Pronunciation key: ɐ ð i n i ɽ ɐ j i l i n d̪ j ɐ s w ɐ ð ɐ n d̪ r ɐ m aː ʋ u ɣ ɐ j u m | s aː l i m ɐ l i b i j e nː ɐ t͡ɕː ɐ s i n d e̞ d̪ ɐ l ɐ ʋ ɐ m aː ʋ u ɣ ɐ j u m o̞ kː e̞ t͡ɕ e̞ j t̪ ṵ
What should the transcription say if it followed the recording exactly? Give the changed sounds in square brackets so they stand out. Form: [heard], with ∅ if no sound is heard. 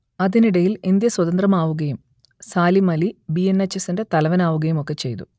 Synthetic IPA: ɐ ð i n i ɽ ɐ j i l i n d̪ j ɐ s w ɐ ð ɐ n d̪ r ɐ m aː ʋ u ɣ ɐ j u m | s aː l i m ɐ l i b i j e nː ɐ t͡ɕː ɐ s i n d e̞ [t̪] ɐ l ɐ ʋ ɐ [n] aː ʋ u ɣ ɐ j u m o̞ kː e̞ t͡ɕ e̞ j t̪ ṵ